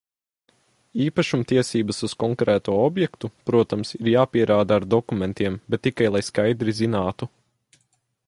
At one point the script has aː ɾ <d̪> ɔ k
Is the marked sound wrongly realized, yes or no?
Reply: no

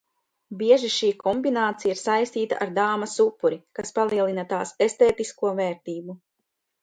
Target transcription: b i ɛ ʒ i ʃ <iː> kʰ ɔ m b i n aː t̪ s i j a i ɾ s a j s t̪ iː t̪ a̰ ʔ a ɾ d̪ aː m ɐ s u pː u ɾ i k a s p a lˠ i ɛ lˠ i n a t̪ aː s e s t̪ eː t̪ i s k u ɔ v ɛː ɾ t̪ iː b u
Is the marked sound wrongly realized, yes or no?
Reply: no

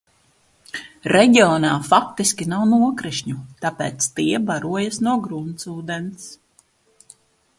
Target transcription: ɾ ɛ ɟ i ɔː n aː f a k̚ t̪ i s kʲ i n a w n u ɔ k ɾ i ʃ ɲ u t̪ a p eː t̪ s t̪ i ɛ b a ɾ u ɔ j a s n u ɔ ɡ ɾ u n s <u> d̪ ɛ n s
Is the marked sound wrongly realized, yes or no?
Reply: yes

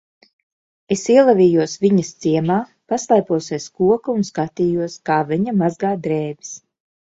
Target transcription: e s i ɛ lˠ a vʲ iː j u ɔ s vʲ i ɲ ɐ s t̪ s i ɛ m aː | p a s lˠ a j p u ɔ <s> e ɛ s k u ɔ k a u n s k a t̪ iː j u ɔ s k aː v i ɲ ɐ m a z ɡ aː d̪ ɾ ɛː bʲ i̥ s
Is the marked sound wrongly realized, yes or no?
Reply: no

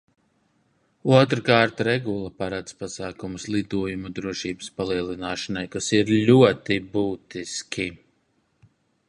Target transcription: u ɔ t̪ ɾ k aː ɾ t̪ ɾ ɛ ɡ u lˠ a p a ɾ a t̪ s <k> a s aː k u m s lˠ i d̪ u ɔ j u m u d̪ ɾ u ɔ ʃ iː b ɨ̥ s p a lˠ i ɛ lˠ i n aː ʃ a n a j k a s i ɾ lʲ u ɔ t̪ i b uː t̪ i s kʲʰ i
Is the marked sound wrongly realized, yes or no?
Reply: yes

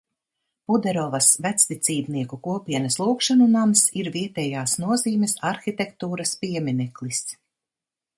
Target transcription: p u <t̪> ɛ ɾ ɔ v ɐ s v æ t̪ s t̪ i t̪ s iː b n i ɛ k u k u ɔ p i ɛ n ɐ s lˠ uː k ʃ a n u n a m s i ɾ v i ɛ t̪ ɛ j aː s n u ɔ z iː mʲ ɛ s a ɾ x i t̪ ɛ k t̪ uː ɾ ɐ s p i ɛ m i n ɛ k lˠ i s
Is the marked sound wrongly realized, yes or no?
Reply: yes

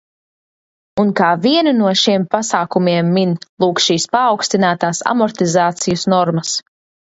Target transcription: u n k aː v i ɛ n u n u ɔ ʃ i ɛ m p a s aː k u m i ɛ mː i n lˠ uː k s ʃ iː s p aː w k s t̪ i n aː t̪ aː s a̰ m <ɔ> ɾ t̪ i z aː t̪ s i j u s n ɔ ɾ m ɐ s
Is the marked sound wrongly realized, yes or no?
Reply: no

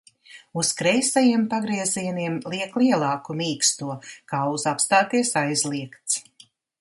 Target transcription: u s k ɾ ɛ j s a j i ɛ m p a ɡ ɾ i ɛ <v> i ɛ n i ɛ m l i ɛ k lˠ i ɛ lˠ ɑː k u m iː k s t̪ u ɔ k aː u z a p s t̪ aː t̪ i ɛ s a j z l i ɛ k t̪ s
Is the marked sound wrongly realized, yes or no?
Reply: yes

